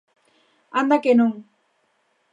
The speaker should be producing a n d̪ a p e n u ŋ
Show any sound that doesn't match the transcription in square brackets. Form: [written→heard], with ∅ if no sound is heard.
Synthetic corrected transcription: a n d̪ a [p→k] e n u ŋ